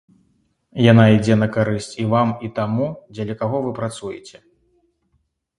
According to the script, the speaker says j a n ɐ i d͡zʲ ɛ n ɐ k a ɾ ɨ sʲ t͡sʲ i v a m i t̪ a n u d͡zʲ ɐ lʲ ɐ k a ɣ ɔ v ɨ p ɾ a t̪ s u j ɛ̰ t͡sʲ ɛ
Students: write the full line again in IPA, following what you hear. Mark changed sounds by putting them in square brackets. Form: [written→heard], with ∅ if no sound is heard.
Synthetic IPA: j a n [ɐ→a] i d͡zʲ ɛ n ɐ k a ɾ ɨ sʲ t͡sʲ i v a m i t̪ a [n→m] u d͡zʲ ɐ lʲ ɐ k a ɣ ɔ v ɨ p ɾ a t̪ s u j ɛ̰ t͡sʲ ɛ